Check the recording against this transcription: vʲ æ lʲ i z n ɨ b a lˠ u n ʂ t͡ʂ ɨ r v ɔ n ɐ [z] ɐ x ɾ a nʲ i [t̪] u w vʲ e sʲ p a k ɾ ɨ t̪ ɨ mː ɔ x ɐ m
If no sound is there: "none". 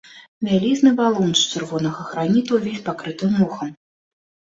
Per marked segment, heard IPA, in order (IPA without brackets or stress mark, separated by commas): ɣ, t̪